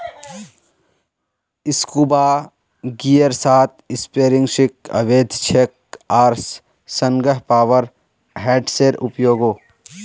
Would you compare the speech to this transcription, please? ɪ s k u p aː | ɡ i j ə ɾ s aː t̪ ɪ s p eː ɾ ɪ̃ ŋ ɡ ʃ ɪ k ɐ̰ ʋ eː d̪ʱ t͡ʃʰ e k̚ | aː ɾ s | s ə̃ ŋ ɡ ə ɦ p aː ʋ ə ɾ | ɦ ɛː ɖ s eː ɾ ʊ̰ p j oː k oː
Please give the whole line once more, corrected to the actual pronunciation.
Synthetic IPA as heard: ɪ s k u b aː | ɡ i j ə ɾ s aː t̪ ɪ s p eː ɾ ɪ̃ ŋ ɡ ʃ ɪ k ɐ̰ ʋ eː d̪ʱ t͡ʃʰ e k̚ | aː ɾ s | s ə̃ ŋ ɡ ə ɦ p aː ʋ ə ɾ | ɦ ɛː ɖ s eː ɾ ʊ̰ p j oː ɡ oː